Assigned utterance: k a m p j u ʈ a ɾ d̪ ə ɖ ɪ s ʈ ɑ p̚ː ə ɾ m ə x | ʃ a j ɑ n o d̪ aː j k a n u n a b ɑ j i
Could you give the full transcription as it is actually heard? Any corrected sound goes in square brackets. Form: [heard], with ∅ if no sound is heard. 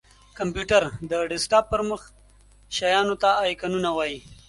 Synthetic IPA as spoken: k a m p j u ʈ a ɾ d̪ ə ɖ ɪ s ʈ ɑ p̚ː ə ɾ m ə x | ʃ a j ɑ n o [t̪] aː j k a n u n a [w] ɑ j i